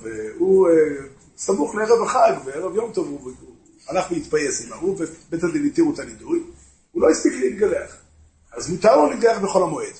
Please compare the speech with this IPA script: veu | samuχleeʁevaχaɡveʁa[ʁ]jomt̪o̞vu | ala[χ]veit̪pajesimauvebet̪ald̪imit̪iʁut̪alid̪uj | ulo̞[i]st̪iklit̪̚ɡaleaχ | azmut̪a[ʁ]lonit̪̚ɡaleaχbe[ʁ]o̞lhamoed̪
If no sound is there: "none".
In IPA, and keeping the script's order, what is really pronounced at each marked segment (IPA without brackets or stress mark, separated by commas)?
v, χ, i, ʁ, χ